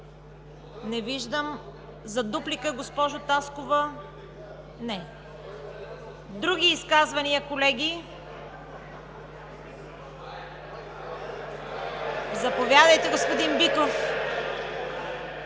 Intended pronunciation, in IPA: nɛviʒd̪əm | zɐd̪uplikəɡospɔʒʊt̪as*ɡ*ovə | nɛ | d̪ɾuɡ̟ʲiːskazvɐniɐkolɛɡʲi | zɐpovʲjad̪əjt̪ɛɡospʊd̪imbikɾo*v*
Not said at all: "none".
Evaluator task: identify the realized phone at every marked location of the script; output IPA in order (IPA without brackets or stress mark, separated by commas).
k, f